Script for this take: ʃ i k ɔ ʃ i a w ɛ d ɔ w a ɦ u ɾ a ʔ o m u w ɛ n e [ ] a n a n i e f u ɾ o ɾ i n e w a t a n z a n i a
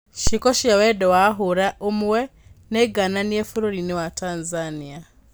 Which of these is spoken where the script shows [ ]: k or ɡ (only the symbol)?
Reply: ɡ